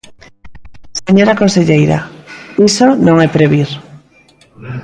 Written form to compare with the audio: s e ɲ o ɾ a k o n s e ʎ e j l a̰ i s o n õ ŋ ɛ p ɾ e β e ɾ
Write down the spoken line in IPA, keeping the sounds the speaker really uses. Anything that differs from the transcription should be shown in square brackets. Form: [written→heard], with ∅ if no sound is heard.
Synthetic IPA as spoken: s e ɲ o ɾ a k o n s e ʎ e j [l→ɾ] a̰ i s o n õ ŋ ɛ p ɾ e β [e→i] ɾ